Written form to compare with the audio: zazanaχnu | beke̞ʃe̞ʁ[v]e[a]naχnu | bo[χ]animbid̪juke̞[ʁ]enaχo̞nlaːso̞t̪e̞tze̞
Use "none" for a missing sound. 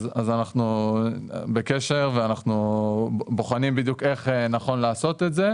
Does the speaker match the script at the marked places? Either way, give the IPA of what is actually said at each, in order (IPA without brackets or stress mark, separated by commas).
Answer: v, a, χ, χ